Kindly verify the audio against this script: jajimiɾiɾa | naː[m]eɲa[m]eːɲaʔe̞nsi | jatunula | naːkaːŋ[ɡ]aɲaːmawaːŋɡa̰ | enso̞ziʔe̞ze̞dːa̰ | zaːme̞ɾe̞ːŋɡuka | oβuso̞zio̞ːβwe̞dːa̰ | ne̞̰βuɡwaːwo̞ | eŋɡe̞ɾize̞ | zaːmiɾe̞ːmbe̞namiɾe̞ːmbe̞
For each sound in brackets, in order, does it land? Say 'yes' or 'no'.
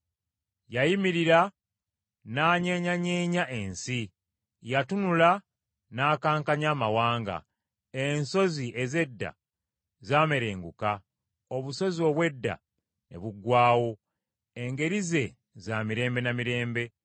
no, no, no

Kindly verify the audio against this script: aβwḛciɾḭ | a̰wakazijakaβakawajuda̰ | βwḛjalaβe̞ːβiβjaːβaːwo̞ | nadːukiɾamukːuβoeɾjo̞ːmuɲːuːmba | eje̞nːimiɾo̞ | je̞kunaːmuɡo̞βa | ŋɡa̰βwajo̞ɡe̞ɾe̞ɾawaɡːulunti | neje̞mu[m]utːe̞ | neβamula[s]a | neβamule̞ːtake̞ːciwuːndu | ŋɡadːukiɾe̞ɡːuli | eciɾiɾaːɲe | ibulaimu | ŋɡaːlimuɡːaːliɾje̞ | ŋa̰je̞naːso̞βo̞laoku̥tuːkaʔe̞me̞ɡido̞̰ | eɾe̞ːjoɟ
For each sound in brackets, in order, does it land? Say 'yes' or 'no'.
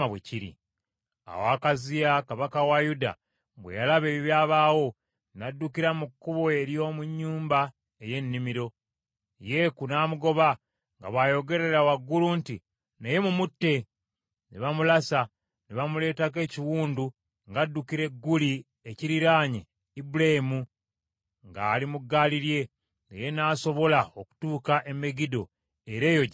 yes, yes

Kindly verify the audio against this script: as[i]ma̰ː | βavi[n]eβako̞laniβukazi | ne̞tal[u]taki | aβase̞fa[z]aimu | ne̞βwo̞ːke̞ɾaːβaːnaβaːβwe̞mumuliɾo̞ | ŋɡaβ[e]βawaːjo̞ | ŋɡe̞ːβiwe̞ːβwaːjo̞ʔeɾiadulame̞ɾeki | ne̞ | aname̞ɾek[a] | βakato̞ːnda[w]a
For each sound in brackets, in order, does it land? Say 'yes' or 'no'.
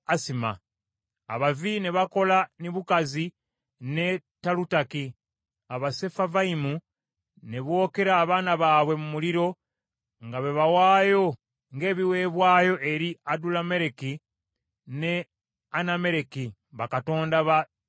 yes, yes, yes, no, yes, no, no

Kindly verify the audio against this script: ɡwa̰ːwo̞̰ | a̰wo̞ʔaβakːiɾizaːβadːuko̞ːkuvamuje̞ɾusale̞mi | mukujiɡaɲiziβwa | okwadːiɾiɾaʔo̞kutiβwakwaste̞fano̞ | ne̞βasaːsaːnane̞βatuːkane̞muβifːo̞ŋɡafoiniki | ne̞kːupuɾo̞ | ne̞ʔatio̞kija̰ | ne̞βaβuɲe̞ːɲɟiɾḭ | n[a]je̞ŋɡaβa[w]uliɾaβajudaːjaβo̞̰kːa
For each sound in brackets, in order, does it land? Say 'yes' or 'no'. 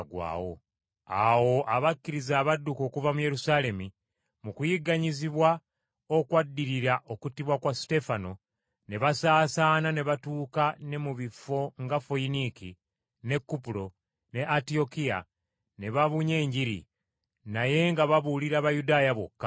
yes, no

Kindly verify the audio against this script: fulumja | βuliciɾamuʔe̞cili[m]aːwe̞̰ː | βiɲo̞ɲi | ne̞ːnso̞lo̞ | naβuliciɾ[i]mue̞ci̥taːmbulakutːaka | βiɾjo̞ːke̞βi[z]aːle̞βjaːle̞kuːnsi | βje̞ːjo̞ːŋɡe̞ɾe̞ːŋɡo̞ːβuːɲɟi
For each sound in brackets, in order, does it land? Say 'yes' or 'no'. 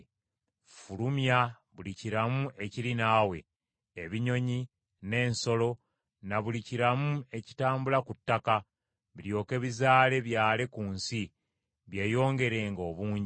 no, no, yes

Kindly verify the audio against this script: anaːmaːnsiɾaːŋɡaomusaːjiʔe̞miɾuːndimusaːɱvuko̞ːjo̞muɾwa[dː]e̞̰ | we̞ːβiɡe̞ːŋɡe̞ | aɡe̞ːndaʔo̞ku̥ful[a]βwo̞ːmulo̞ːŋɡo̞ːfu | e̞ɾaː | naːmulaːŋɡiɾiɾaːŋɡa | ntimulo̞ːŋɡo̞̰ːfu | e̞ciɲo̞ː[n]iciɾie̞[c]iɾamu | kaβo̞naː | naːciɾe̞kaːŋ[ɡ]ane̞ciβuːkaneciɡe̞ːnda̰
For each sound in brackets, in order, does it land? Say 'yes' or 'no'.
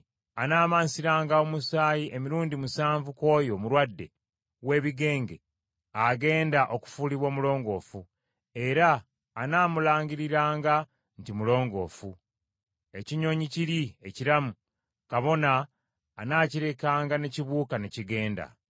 yes, no, no, yes, yes

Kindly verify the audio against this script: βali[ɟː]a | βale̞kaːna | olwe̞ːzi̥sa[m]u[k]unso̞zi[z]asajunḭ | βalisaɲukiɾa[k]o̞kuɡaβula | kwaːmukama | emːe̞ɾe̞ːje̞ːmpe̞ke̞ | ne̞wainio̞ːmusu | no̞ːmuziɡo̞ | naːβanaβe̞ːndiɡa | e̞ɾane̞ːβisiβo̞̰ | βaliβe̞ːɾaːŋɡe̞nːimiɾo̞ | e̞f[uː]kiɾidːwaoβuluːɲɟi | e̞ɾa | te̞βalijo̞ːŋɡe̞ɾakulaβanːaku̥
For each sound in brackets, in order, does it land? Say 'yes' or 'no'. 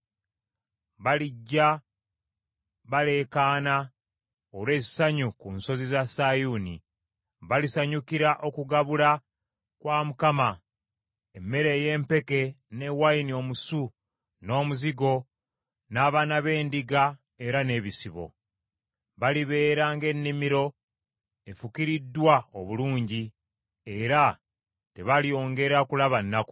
yes, no, yes, yes, no, no

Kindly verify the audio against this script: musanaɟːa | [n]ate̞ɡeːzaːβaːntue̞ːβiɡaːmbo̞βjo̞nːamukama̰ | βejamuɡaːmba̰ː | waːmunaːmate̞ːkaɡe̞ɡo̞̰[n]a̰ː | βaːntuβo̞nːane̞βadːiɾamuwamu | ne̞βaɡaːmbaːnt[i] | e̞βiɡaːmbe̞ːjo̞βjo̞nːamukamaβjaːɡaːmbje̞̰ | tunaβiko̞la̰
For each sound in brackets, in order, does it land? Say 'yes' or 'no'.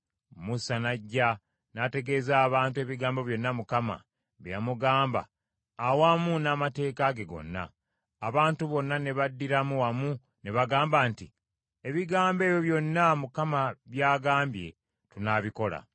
yes, no, yes

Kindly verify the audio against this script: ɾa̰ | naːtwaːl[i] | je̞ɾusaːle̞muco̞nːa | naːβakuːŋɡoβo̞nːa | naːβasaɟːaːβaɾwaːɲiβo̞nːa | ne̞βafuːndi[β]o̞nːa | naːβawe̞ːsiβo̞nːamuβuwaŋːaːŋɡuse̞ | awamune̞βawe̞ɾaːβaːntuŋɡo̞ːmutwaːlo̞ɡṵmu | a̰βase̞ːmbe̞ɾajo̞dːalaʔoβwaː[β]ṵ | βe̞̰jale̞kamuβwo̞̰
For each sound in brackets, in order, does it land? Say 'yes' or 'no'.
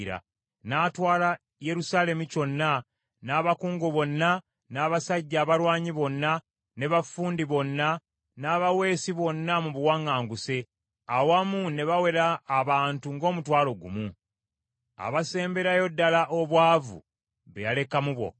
no, yes, no

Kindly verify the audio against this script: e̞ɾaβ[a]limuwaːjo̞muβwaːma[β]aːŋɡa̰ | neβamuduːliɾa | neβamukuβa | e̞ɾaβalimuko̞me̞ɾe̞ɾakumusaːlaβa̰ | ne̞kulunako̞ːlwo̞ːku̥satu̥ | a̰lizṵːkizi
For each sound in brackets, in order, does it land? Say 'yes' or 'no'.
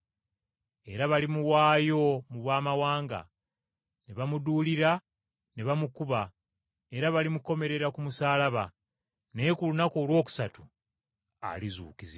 yes, no

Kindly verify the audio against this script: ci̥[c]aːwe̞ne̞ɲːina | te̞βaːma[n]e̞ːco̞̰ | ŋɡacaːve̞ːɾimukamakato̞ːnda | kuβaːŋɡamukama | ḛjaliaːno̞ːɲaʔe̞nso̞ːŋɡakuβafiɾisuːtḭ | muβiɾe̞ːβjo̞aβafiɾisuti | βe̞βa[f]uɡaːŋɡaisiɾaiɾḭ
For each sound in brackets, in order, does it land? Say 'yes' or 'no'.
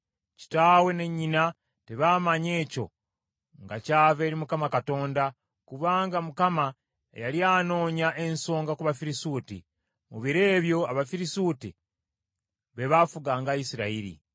no, no, yes

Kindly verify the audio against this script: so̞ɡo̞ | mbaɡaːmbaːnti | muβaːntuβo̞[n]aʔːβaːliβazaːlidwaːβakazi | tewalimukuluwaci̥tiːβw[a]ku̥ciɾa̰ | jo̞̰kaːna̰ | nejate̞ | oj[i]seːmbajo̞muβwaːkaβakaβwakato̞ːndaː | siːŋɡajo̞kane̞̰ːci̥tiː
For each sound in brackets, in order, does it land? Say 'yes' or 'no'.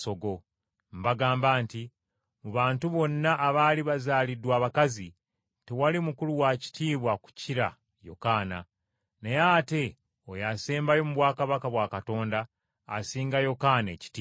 no, yes, no

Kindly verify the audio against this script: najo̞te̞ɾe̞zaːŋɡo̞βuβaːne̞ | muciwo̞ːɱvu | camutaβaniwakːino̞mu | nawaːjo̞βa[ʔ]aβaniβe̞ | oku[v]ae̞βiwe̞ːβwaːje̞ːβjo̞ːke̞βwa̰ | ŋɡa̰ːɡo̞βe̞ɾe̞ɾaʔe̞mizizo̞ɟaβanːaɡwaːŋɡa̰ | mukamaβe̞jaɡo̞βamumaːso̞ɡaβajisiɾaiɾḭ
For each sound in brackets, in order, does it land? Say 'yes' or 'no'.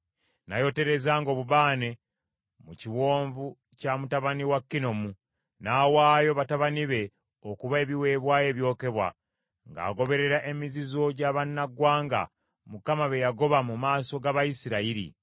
no, no

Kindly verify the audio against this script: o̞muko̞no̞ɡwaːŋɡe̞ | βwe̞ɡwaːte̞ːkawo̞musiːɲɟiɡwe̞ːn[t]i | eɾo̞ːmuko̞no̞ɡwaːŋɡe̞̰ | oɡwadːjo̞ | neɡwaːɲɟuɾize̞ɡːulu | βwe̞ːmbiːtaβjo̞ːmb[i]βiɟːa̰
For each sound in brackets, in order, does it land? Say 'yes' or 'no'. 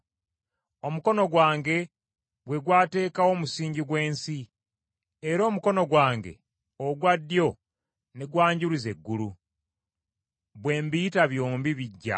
no, yes

